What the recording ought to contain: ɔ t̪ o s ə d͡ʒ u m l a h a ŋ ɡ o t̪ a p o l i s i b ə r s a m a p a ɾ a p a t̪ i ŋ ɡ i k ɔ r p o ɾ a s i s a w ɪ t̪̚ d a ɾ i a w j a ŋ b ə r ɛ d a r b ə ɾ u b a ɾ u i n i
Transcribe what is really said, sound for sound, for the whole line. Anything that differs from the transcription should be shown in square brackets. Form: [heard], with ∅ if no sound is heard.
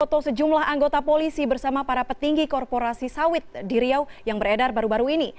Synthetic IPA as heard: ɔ t̪ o s ə d͡ʒ u m l a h a ŋ ɡ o t̪ a p o l i s i b ə r s a m a p a ɾ a p [ə] t̪ i ŋ ɡ i k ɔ r p o ɾ a s i s a w ɪ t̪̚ d [i] ɾ i a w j a ŋ b ə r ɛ d a r b [a] ɾ u b a ɾ u i n i